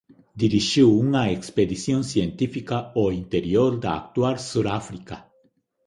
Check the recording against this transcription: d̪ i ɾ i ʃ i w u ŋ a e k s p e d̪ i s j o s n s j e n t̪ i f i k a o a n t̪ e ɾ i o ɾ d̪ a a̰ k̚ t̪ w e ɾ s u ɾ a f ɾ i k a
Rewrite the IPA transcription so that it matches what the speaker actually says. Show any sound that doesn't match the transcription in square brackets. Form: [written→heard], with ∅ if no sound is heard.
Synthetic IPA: d̪ i ɾ i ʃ i w u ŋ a e k s p e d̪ i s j o [s→∅] n s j e n t̪ i f i k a o [a→i] n t̪ e ɾ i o ɾ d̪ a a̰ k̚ t̪ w [e→a] ɾ s u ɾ a f ɾ i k a

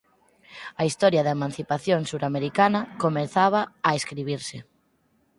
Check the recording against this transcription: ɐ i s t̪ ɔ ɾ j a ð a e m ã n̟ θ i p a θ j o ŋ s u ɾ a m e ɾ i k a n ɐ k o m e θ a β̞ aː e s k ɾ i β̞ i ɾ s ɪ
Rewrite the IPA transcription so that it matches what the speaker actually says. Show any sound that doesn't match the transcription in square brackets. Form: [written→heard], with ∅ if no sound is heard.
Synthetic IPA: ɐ i s t̪ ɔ ɾ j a ð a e m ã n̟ θ i p a θ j o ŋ s u ɾ a m e ɾ i k a n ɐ k o m e θ a β̞ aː e s k ɾ i β̞ i ɾ s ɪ

